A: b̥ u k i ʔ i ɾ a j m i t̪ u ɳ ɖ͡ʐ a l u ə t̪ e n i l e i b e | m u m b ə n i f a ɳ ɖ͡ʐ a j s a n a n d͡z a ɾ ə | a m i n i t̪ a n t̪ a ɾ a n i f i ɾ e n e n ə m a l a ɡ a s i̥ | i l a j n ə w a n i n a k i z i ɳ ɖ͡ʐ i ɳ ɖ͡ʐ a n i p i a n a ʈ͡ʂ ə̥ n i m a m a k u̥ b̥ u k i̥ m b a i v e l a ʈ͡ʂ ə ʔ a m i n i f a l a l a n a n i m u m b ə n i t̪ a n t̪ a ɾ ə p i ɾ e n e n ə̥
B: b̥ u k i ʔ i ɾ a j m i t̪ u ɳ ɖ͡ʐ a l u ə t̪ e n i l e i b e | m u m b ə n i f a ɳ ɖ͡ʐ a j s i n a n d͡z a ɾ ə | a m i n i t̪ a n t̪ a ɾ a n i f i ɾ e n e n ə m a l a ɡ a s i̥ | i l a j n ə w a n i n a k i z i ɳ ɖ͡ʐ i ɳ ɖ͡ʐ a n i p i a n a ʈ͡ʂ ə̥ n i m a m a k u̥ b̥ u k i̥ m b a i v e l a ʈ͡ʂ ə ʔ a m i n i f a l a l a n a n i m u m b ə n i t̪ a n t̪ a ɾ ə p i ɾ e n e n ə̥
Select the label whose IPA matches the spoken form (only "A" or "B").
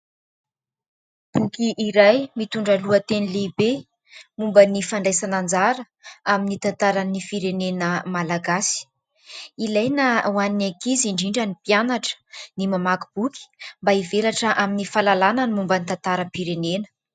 A